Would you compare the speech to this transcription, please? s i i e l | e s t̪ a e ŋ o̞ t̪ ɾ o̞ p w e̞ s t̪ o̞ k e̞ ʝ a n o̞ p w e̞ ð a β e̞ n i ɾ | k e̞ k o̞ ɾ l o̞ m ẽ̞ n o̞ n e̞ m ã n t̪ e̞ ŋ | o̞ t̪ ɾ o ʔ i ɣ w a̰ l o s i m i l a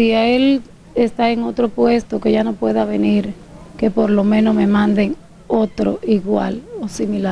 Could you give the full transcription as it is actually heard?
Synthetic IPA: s i a e l | e s t̪ a e ŋ o̞ t̪ ɾ o̞ p w e̞ s t̪ o̞ k e̞ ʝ a n o̞ p w e̞ ð a β e̞ n i ɾ | k e̞ p o̞ ɾ l o̞ m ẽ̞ n o̞ m e̞ m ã n d̪ e̞ ŋ | o̞ t̪ ɾ o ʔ i ɣ w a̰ l o s i m i l a